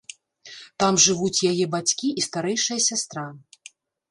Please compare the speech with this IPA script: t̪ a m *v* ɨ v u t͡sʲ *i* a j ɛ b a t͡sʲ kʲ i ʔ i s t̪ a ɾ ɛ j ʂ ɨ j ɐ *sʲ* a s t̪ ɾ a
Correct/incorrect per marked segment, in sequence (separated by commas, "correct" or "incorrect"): incorrect, incorrect, correct